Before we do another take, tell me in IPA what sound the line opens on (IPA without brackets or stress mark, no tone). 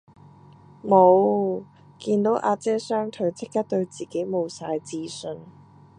m